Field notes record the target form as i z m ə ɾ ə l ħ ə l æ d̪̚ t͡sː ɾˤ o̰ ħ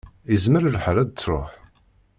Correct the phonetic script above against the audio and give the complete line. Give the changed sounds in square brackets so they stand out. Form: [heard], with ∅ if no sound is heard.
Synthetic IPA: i z m ə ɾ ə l ħ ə [ɾ] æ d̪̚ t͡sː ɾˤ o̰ ħ